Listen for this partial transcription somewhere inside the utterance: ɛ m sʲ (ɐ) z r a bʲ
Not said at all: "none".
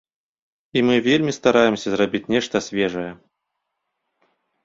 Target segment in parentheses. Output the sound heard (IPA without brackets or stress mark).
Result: ɐ